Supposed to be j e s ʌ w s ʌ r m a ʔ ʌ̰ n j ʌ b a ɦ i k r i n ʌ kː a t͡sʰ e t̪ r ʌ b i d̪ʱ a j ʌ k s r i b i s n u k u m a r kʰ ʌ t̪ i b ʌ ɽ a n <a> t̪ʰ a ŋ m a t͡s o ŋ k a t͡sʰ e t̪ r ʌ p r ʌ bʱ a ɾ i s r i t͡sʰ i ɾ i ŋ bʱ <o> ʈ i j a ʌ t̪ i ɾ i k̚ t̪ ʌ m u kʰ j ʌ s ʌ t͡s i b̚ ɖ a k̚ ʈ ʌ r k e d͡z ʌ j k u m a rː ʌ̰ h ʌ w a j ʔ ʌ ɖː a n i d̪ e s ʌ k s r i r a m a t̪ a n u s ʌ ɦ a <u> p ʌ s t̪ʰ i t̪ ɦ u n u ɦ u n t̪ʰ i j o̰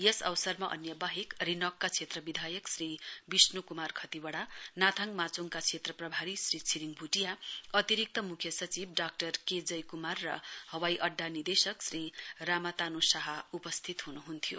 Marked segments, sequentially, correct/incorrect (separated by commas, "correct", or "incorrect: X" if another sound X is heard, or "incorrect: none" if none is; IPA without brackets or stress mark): correct, incorrect: u, correct